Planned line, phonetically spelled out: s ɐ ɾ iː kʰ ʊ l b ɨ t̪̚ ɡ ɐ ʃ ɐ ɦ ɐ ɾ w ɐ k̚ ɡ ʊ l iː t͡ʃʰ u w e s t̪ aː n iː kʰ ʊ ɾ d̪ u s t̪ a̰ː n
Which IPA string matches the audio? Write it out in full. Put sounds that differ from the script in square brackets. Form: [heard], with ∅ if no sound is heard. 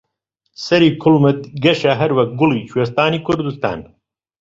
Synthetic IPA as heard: s ɐ ɾ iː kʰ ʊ l [m] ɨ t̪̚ ɡ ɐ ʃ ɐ ɦ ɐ ɾ w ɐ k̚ ɡ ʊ l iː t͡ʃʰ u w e s t̪ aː n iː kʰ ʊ ɾ d̪ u s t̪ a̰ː n